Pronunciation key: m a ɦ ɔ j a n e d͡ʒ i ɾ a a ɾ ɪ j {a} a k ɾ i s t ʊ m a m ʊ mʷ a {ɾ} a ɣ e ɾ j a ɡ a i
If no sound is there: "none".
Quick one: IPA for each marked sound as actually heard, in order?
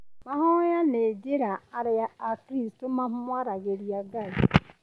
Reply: a, ɾ

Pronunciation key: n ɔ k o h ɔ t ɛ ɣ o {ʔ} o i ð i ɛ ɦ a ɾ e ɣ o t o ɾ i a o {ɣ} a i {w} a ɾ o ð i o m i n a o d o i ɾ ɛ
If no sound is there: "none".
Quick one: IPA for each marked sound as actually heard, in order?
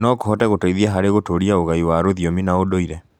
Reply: t, ɣ, w

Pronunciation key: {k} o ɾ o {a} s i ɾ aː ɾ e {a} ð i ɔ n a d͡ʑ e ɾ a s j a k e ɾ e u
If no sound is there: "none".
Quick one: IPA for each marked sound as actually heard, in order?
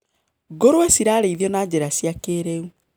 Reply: ɡ, ɛ, i

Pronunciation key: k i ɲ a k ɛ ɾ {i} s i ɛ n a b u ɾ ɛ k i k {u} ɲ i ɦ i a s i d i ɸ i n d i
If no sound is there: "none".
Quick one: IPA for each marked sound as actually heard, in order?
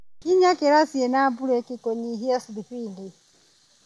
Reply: a, ɔ

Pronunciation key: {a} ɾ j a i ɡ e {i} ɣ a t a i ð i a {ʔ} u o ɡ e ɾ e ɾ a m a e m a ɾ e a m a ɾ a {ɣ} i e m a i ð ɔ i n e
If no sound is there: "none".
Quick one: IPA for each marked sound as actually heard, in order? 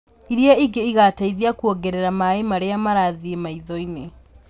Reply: i, i, k, ð

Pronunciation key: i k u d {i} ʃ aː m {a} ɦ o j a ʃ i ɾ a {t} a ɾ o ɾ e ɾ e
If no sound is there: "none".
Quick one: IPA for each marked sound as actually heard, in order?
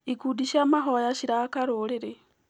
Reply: i, a, k

